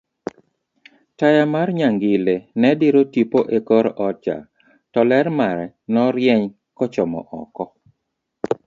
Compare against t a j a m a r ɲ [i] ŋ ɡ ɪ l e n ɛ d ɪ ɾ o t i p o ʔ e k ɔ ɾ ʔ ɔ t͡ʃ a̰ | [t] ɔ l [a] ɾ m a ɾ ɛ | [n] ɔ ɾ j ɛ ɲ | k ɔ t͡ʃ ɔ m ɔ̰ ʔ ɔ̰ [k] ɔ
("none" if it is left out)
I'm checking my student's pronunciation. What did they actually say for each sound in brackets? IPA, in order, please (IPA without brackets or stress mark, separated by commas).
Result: a, t, ɛ, n, k